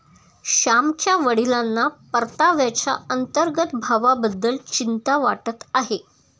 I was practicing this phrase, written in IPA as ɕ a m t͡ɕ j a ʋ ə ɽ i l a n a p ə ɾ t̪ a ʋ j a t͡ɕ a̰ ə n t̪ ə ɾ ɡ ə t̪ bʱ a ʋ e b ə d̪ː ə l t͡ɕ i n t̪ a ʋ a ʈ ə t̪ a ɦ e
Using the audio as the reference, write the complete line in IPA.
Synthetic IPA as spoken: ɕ a m t͡ɕ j a ʋ ə ɽ i l a nː a p ə ɾ t̪ a ʋ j a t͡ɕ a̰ ə n t̪ ə ɾ ɡ ə t̪ bʱ a ʋ a b ə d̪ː ə l t͡ɕ i n t̪ a ʋ a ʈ ə t̪ a ɦ e